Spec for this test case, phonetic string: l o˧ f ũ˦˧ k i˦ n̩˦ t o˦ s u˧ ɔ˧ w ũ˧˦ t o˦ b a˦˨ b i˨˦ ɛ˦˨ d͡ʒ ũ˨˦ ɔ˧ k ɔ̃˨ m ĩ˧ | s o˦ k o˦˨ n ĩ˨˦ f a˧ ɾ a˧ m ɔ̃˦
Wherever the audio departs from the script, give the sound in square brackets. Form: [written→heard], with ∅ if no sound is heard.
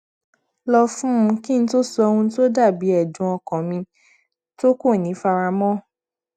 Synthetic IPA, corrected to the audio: l [o˧→ɔ˧] f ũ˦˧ k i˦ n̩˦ t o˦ s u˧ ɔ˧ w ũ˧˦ t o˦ [b→d] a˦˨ b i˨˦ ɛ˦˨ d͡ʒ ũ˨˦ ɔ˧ k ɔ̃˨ m ĩ˧ | [s→t] o˦ k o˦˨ n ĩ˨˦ f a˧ ɾ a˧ m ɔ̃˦